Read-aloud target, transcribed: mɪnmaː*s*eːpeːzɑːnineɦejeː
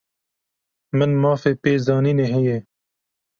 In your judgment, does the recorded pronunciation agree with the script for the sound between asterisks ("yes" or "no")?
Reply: no